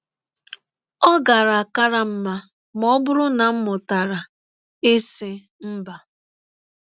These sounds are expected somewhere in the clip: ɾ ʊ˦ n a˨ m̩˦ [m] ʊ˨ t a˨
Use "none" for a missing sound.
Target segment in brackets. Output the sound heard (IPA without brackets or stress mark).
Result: m